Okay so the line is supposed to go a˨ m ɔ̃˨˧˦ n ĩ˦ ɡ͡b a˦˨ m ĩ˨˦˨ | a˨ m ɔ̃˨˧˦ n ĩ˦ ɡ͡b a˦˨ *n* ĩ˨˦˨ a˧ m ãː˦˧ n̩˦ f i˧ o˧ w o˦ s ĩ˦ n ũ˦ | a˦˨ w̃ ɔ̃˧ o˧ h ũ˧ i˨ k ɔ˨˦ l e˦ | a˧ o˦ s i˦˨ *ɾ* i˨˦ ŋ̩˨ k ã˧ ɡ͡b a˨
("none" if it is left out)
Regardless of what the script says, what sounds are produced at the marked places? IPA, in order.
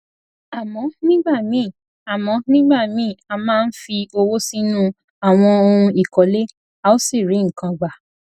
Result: m, ɾ

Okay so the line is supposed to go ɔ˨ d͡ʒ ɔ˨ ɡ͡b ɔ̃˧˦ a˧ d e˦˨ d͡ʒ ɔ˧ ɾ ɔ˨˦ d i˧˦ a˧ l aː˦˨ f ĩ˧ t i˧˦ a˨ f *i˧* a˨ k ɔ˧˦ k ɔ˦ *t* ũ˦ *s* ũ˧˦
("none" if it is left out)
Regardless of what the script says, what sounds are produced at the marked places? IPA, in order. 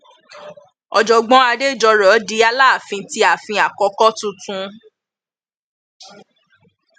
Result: ĩ˧, t, t

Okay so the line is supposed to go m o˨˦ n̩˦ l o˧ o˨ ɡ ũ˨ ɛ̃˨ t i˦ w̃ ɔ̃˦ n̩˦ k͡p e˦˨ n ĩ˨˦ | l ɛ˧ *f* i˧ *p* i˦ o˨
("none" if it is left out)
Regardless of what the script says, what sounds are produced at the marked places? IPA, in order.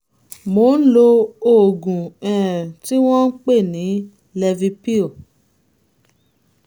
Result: v, p

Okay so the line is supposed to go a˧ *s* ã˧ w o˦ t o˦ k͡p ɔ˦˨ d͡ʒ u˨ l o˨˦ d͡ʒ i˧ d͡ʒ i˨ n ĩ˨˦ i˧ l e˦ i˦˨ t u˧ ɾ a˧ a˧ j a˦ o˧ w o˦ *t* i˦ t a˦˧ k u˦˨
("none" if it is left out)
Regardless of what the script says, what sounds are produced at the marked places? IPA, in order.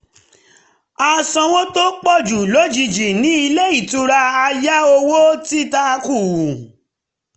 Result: s, t

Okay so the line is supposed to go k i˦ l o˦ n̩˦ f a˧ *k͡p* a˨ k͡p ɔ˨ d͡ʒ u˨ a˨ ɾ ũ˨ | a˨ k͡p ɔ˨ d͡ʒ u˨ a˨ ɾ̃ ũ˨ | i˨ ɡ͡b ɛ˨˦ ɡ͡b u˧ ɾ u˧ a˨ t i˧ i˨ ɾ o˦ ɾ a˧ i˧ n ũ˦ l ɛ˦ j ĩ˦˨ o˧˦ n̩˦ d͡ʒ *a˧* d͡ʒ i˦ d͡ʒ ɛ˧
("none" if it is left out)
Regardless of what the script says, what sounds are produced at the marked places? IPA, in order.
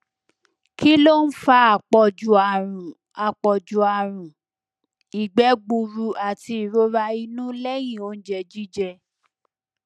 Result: none, ɛ˧

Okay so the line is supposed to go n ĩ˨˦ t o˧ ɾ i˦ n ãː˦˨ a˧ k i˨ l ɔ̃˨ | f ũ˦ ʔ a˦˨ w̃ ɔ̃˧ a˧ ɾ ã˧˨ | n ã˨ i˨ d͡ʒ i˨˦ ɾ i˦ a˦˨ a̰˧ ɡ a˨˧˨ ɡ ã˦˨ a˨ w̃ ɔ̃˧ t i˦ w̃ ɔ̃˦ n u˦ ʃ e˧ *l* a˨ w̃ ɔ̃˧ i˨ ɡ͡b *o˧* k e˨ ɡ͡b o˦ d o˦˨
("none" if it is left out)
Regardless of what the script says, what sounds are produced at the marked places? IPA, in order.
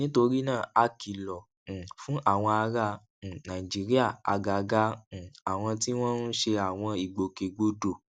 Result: none, o˧

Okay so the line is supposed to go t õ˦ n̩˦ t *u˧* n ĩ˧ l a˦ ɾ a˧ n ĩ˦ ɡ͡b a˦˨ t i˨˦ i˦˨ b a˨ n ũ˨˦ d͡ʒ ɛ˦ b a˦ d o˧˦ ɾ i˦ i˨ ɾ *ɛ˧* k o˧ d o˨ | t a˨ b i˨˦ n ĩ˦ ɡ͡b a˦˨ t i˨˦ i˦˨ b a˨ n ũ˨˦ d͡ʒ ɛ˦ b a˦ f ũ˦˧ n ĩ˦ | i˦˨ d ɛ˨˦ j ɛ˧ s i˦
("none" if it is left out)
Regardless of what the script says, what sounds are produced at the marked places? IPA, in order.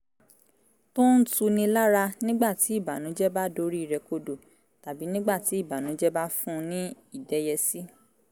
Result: u˧, ɛ˧

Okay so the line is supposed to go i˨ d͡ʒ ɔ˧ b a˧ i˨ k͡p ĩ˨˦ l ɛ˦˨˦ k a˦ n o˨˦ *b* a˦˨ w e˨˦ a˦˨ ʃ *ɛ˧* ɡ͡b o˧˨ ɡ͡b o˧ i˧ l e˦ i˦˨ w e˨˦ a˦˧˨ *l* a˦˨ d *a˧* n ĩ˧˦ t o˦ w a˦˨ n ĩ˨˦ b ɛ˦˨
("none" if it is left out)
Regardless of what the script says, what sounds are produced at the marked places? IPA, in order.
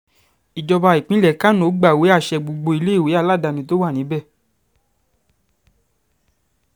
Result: ɡ͡b, ɛ˧, l, a˧

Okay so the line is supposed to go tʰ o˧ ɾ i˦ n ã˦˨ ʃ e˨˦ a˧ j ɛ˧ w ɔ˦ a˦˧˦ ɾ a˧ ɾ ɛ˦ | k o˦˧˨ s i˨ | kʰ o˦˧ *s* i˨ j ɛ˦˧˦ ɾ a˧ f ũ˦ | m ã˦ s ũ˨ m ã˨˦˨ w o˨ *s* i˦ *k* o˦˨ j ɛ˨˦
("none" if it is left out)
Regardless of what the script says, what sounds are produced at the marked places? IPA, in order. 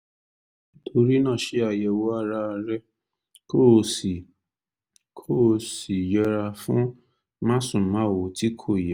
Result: s, t, kʰ

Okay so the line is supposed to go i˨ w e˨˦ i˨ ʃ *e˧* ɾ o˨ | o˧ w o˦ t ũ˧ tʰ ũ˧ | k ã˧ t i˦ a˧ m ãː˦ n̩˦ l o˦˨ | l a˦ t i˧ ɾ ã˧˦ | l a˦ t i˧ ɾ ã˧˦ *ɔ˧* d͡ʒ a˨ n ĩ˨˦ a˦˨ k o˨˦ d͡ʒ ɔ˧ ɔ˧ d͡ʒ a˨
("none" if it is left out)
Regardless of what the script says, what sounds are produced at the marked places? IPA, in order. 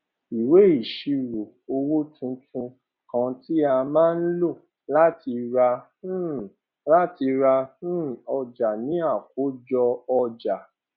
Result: i˧, ɔ˧

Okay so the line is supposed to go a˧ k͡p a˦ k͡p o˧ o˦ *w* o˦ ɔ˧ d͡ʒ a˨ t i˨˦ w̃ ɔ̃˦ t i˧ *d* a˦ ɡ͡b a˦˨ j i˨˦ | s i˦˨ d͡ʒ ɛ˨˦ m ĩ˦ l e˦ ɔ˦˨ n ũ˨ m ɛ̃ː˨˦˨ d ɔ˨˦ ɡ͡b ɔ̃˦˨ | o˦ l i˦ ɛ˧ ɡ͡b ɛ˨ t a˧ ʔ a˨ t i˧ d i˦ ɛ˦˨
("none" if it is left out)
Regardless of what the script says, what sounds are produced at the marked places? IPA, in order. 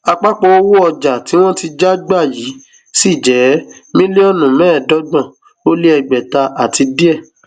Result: w, d͡ʒ

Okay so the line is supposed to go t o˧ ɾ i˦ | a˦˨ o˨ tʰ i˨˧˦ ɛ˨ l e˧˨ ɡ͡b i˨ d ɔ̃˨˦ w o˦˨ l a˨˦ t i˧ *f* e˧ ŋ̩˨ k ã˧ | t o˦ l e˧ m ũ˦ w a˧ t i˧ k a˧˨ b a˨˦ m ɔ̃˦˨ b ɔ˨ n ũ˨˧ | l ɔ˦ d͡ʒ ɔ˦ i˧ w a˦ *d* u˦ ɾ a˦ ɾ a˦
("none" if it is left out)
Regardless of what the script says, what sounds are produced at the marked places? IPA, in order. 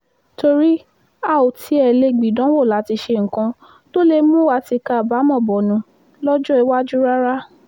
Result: ʃ, d͡ʒ

